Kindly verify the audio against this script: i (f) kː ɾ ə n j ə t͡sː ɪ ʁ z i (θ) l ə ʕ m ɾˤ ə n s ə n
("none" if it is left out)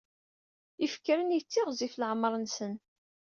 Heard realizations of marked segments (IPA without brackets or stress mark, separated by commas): f, f